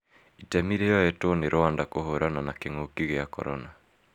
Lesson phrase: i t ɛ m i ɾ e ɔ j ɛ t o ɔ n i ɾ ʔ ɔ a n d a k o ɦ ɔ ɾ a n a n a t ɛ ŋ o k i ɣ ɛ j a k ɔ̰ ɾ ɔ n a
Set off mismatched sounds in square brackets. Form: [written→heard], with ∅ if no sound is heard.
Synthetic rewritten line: i t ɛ m i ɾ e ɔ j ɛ t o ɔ n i ɾ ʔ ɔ a n d a k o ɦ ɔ ɾ a n a n a [t→k] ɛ ŋ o k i ɣ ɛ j a k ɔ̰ ɾ ɔ n a

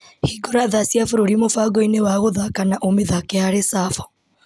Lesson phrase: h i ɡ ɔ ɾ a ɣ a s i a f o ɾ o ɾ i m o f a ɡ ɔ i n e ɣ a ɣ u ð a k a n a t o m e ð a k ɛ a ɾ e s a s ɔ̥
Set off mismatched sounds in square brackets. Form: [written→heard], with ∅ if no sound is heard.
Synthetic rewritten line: h i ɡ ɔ ɾ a [ɣ→ð] a s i a f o ɾ o ɾ i m o f a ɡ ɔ i n e [ɣ→w] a ɣ [u→o] ð a k a n a [t→ʔ] o m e ð a k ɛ a ɾ e s a [s→f] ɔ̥

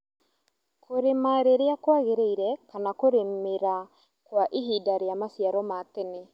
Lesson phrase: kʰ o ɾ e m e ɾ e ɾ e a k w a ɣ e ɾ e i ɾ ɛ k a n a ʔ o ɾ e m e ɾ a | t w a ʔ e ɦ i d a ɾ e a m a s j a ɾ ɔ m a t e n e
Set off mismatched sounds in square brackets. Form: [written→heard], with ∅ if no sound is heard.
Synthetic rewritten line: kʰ o ɾ e m [e→a] ɾ e ɾ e a k w a ɣ e ɾ e i ɾ ɛ k a n a [ʔ→k] o ɾ e m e ɾ a | [t→k] w a ʔ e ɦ i d a ɾ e a m a s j a ɾ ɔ m a t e n e

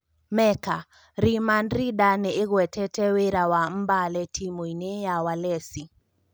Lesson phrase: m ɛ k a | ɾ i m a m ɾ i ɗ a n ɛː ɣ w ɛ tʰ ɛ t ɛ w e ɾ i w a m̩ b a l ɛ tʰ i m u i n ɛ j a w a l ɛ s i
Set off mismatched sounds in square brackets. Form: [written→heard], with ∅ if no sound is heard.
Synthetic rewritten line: m ɛ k a | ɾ i m a [m→n] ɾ i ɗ a n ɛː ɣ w ɛ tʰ ɛ t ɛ w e ɾ [i→a] w a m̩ b a l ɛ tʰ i m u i n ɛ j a w a l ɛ s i

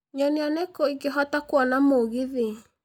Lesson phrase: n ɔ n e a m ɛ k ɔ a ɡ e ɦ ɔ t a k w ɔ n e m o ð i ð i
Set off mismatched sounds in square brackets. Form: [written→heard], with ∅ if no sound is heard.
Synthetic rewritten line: [n→ɲ] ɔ n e a [m→n] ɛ k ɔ [a→i] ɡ e ɦ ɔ t a k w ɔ n [e→a] m o [ð→ɣ] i ð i

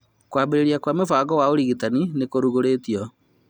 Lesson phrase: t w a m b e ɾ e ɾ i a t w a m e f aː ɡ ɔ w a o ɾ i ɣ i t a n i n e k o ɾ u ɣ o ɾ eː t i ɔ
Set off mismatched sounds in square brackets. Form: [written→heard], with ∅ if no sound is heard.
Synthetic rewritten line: [t→k] w a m b e ɾ e ɾ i a [t→k] w a m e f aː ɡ ɔ w a o ɾ i ɣ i t a n i n e k o ɾ u ɣ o ɾ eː t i ɔ

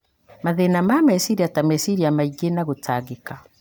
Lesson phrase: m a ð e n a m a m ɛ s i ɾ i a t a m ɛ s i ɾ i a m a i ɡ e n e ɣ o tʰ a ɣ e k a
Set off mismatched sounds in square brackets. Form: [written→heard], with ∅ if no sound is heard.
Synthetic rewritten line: m a ð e n a m a m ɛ s i ɾ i a t a m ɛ s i ɾ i a m a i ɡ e n [e→a] ɣ o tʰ a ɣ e k a

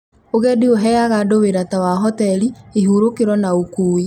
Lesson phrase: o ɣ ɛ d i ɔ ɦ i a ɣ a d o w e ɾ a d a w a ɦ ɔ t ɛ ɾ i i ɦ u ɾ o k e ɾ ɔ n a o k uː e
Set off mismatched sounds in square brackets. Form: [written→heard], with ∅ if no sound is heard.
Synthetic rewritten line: o ɣ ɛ d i [ɔ→o] ɦ [i→ɛ] a ɣ a d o w e ɾ a [d→t] a w a ɦ ɔ t ɛ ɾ i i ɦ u ɾ o k e ɾ ɔ n a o k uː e

